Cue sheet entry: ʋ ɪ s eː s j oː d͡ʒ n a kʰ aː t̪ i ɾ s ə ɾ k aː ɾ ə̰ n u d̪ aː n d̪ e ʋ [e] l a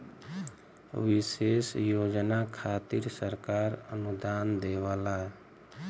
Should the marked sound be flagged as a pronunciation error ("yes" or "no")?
yes